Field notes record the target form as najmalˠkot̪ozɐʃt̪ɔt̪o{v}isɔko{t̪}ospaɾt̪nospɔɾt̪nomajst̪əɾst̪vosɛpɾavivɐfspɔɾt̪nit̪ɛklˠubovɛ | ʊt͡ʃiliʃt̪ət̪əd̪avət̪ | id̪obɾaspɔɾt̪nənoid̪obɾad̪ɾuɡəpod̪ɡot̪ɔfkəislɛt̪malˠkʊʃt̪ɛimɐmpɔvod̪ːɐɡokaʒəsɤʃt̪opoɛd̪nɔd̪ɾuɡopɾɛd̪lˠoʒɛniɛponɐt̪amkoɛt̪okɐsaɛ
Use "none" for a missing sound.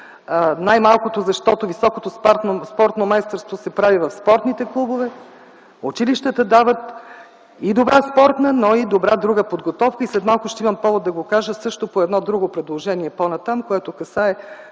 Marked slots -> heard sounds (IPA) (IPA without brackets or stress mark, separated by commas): v, t̪